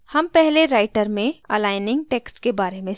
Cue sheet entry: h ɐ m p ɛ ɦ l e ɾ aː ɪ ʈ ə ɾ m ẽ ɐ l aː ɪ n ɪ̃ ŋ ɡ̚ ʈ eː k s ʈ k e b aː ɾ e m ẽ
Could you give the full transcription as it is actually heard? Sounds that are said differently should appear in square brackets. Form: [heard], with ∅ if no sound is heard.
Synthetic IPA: h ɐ m p ɛ ɦ l e ɾ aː ɪ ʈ ə ɾ m ẽ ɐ l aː ɪ n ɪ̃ ŋ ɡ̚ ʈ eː k s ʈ k e b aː ɾ e m ẽ

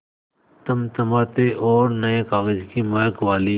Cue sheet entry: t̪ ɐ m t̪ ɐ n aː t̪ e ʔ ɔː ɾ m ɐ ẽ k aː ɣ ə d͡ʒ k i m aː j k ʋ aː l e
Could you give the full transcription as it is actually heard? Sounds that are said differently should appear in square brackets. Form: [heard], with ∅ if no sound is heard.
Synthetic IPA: t̪ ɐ m t̪ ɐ [m] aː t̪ e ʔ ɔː ɾ [n] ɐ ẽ k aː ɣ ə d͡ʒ k i m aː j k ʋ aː l [i]

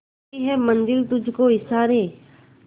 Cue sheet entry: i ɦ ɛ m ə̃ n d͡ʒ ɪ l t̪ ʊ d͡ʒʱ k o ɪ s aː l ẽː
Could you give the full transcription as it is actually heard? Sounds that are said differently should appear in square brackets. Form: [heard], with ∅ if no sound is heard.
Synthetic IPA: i ɦ ɛ m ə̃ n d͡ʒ ɪ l t̪ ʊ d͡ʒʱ k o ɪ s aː [ɾ] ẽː

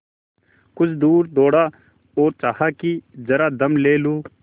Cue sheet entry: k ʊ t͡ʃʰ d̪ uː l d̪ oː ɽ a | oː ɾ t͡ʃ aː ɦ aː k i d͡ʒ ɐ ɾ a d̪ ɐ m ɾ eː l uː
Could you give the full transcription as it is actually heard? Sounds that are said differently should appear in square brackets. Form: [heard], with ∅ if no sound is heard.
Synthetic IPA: k ʊ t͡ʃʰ d̪ uː [ɾ] d̪ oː ɽ a | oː ɾ t͡ʃ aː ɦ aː k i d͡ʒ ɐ ɾ a d̪ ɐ m [l] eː l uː

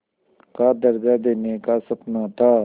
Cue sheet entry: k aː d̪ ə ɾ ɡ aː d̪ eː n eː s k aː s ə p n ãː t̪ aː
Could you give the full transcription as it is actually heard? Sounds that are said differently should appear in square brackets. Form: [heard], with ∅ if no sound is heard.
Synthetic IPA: k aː d̪ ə ɾ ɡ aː d̪ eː n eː [∅] k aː s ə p n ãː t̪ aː

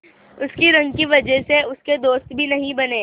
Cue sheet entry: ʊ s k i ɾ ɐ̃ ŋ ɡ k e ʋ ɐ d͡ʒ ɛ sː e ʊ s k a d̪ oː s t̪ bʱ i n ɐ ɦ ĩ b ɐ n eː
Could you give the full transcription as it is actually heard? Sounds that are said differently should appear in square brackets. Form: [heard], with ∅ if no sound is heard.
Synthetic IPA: ʊ s k i ɾ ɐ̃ ŋ ɡ k [i] ʋ ɐ d͡ʒ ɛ [s] e ʊ s k [e] d̪ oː s t̪ bʱ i n ɐ ɦ ĩ b ɐ n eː

